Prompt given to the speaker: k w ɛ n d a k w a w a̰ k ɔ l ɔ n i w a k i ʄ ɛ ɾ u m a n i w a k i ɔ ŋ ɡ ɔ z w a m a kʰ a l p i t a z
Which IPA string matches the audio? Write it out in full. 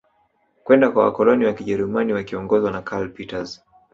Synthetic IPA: k w ɛ n d a k w a w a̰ k ɔ l ɔ n i w a k i ʄ ɛ ɾ u m a n i w a k i ɔ ŋ ɡ ɔ z w a n a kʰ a l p i t a z